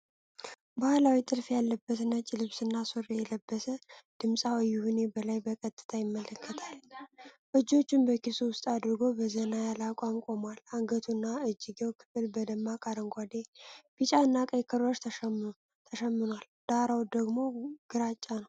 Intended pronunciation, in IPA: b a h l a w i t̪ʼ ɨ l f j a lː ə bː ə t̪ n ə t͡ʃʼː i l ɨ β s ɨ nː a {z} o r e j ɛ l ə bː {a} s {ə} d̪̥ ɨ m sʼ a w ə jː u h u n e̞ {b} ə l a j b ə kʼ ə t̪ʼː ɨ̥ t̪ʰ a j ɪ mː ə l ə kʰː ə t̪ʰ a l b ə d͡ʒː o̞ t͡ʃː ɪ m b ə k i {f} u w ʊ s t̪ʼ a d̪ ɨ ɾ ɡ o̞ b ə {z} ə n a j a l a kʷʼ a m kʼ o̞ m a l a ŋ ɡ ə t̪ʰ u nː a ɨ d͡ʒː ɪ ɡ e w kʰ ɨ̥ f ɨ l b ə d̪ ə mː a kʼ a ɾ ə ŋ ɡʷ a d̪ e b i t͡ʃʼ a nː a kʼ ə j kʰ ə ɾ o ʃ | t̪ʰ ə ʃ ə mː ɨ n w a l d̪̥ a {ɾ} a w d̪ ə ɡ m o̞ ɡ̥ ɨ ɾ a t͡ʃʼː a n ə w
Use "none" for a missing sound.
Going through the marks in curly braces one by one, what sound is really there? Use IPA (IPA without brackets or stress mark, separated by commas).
s, ə, ə, b, s, z, ɾ